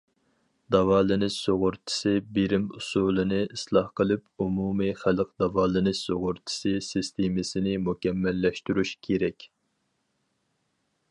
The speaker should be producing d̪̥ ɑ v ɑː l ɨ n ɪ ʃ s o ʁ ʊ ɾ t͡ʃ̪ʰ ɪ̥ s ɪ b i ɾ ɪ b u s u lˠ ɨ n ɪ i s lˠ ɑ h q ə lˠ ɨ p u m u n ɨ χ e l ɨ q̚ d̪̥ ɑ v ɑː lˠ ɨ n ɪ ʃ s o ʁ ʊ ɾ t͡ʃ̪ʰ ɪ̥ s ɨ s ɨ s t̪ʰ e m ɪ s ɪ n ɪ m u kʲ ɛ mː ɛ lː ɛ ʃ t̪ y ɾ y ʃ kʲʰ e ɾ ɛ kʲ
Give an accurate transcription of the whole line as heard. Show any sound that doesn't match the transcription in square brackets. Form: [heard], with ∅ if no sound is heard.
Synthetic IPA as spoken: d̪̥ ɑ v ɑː l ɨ n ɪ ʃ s o ʁ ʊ ɾ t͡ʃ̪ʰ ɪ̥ s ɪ b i ɾ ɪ [m] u s u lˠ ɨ n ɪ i s lˠ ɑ h q ə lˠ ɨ p u m u [m] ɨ χ [æ] l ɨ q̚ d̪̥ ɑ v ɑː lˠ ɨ n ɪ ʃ s o ʁ ʊ ɾ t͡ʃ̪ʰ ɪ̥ s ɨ s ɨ s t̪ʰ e m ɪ s ɪ n ɪ m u kʲ ɛ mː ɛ lː ɛ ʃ t̪ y ɾ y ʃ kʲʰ e ɾ ɛ kʲ

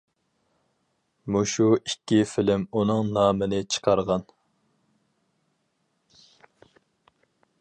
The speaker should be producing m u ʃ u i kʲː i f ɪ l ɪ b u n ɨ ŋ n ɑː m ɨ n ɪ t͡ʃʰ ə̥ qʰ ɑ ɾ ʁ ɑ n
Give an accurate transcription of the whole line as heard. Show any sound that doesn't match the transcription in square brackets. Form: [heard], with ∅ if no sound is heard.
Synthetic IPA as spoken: m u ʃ u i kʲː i f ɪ l ɪ [m] u n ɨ ŋ n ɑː m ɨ n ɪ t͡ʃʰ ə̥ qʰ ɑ ɾ ʁ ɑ n

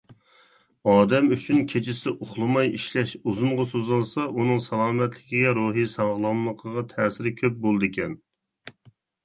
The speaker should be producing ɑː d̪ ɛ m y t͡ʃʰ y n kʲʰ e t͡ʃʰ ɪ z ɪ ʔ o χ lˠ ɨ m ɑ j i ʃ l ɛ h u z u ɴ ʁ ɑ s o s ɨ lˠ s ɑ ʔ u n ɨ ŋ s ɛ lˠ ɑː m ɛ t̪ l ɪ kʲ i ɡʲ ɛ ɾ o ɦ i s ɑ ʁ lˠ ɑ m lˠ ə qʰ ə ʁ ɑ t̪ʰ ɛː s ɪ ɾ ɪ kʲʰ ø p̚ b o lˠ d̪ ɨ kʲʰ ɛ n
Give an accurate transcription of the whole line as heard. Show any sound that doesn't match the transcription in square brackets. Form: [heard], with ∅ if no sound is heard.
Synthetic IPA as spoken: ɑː d̪ ɛ m y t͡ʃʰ y n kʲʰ e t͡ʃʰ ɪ [s] ɪ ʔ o χ lˠ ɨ m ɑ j i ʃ l ɛ [ʃ] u z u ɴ ʁ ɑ s o [z] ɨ lˠ s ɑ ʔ u n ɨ ŋ s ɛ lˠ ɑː m ɛ t̪ l ɪ kʲ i ɡʲ ɛ ɾ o ɦ i s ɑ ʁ lˠ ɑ m lˠ ə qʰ ə ʁ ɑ t̪ʰ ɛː s ɪ ɾ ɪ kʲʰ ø p̚ b o lˠ d̪ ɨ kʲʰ ɛ n

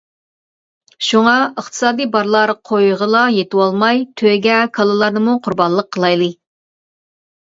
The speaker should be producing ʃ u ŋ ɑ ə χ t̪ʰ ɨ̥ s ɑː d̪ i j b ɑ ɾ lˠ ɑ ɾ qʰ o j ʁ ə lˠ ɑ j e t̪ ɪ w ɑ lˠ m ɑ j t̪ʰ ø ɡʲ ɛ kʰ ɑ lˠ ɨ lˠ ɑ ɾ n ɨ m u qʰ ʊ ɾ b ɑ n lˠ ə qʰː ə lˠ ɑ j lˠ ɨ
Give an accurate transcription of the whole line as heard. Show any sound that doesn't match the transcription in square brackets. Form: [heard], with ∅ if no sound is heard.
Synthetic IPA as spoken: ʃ u ŋ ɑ ə χ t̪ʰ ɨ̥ s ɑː d̪ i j b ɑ ɾ lˠ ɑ ɾ qʰ o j ʁ ə lˠ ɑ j e t̪ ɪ w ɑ lˠ m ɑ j t̪ʰ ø ɡʲ ɛ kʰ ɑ lˠ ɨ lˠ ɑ ɾ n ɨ m u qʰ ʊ ɾ b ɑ n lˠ ə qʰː ə lˠ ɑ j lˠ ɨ

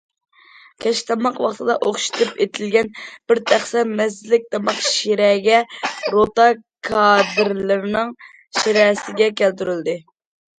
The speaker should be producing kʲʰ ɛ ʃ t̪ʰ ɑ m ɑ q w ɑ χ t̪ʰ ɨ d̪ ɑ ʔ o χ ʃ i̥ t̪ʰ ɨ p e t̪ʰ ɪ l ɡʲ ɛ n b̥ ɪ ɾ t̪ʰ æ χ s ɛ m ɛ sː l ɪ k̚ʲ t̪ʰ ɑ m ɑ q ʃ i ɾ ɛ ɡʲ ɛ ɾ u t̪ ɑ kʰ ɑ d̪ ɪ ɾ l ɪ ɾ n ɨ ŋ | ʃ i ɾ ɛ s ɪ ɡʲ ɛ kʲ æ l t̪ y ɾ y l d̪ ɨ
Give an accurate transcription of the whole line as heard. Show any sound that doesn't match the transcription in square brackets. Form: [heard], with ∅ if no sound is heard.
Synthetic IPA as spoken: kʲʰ ɛ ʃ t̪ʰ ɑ m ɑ q w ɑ χ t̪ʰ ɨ d̪ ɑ ʔ o χ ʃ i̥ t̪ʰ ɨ p e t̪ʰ ɪ l ɡʲ ɛ n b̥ ɪ ɾ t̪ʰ æ χ s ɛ m ɛ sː l ɪ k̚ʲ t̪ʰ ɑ m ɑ q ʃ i ɾ ɛ ɡʲ ɛ ɾ [o] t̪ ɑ kʰ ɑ d̪ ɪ ɾ l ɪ ɾ n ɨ ŋ | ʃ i ɾ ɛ s ɪ ɡʲ ɛ kʲ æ l t̪ y ɾ y l d̪ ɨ

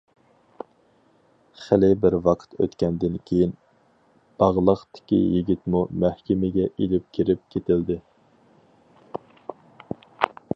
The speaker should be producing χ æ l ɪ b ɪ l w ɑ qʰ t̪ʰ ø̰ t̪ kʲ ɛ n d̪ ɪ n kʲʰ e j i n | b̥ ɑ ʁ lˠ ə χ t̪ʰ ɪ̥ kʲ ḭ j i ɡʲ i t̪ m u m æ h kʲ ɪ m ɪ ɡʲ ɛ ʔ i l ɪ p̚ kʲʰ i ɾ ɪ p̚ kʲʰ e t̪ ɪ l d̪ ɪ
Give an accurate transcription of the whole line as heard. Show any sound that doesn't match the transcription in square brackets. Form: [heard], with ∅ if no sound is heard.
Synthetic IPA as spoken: χ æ l ɪ b ɪ [ɾ] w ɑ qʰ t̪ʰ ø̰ t̪ kʲ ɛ n d̪ ɪ n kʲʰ e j i n | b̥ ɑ ʁ lˠ ə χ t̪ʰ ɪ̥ kʲ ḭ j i ɡʲ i t̪ m u m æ h kʲ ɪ m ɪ ɡʲ ɛ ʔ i l ɪ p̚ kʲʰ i ɾ ɪ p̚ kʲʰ e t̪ ɪ l d̪ ɪ

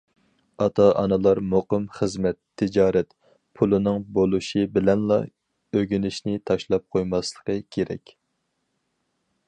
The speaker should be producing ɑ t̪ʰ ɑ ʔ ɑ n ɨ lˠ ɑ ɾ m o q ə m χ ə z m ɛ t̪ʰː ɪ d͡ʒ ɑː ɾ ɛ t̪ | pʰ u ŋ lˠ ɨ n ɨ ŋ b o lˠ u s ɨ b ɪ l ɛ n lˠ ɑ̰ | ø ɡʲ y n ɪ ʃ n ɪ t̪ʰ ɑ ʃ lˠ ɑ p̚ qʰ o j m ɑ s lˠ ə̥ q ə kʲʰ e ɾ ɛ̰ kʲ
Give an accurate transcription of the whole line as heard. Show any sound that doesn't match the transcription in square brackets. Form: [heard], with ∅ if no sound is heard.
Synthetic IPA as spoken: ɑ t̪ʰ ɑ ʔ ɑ n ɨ lˠ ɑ ɾ m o q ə m χ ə z m ɛ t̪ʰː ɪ d͡ʒ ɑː ɾ ɛ t̪ | pʰ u [∅] lˠ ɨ n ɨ ŋ b o lˠ u [ʃ] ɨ b ɪ l ɛ n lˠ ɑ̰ | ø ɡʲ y n ɪ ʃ n ɪ t̪ʰ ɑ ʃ lˠ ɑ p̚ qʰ o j m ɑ s lˠ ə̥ q ə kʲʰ e ɾ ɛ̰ kʲ

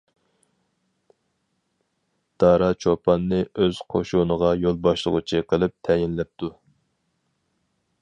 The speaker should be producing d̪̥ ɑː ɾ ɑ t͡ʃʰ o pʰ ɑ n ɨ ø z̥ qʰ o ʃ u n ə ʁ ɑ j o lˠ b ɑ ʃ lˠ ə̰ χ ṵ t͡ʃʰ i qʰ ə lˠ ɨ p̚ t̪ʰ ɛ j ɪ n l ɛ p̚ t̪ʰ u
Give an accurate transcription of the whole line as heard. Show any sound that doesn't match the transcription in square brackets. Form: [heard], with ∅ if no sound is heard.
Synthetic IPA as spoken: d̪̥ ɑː ɾ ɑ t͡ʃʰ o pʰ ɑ [nː] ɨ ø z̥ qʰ o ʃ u n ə ʁ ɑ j o lˠ b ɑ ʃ lˠ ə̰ [ʁ] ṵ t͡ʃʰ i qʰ ə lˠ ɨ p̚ t̪ʰ ɛ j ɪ n l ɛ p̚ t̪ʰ u

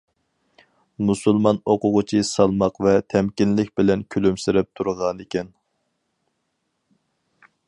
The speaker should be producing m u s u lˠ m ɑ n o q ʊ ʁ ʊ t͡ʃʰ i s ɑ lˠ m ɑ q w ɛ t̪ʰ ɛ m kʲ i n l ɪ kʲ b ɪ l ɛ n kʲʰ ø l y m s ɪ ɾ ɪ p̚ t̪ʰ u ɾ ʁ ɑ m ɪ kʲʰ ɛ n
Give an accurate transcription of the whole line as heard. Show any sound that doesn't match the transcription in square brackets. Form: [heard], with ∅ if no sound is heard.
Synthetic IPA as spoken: m u s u lˠ m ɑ n o q ʊ ʁ ʊ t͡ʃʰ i s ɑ lˠ m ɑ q [v] ɛ t̪ʰ ɛ m kʲ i n l ɪ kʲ b ɪ l ɛ n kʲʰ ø l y m s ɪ ɾ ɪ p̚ t̪ʰ u ɾ ʁ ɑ [n] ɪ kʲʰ ɛ n

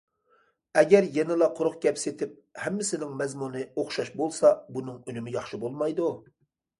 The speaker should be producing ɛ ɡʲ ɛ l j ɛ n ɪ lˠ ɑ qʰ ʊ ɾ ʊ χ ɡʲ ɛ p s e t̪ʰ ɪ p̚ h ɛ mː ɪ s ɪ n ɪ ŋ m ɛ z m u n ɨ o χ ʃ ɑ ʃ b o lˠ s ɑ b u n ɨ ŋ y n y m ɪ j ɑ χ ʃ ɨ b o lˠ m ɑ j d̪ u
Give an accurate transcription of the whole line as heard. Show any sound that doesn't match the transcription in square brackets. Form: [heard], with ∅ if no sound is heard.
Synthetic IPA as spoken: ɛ ɡʲ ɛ [ɾ] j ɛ n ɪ lˠ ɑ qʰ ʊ ɾ ʊ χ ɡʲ ɛ p s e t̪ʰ ɪ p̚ h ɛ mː ɪ s ɪ n ɪ ŋ m ɛ z m u n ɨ o χ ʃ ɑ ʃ b o lˠ s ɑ b u n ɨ ŋ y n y m ɪ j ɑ χ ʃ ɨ b o lˠ m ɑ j d̪ u

